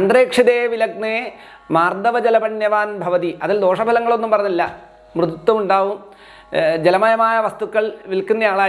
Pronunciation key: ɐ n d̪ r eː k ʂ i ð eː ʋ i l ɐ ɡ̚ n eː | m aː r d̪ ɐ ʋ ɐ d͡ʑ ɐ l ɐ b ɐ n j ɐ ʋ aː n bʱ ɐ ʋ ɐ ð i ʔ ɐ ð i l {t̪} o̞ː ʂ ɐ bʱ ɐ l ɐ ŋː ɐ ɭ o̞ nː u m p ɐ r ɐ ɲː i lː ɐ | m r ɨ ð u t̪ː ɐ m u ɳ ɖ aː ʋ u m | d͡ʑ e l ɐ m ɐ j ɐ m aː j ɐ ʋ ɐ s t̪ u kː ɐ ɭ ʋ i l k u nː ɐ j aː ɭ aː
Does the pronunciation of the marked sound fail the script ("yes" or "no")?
yes